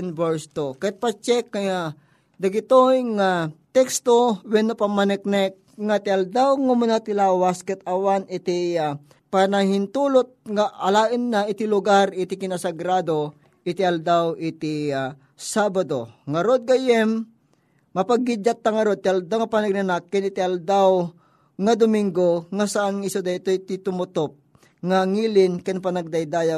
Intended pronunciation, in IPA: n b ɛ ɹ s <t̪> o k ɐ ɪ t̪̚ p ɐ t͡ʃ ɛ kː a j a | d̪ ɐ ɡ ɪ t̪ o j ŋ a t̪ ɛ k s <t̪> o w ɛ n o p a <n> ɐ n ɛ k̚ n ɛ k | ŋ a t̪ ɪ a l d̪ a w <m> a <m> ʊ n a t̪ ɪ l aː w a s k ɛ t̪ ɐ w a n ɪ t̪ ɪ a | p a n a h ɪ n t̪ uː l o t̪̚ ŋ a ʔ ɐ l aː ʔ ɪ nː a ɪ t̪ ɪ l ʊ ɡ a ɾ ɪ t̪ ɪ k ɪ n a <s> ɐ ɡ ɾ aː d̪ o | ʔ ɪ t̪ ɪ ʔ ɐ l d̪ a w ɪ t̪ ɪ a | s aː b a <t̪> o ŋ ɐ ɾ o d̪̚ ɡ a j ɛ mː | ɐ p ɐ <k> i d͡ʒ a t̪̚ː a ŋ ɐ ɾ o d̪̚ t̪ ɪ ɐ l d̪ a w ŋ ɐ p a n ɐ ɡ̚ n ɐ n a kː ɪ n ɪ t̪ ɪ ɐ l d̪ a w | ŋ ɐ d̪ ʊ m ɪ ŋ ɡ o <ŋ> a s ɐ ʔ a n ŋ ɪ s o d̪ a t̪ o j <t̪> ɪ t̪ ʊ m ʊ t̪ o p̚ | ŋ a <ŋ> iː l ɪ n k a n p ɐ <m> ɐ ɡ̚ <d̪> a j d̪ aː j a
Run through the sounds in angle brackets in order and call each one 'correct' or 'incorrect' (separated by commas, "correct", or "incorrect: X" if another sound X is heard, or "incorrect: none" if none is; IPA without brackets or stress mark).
correct, correct, incorrect: m, incorrect: ŋ, correct, correct, incorrect: d̪, incorrect: ɡ, correct, correct, correct, incorrect: n, correct